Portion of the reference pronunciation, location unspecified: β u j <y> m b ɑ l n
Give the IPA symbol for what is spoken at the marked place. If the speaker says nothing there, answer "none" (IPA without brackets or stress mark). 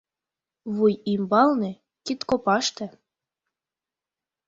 i